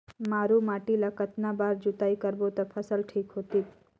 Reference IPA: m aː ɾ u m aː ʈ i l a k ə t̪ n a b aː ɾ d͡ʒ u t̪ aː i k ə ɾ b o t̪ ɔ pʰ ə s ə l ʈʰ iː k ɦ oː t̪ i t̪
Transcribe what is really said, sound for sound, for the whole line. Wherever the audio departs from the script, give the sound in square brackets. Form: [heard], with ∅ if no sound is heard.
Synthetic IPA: m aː ɾ u m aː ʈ i l a k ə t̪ n a b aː ɾ d͡ʒ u t̪ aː i k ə ɾ b o t̪ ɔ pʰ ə s ə l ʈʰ iː k ɦ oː t̪ i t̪